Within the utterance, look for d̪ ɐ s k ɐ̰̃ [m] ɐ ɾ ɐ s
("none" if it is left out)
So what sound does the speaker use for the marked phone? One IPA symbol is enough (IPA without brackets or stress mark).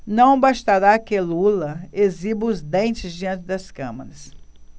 m